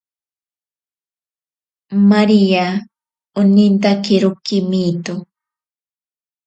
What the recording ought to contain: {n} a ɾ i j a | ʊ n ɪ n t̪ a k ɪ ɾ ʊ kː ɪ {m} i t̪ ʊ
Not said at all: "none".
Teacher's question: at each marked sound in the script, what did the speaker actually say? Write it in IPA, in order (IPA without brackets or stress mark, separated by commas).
m, m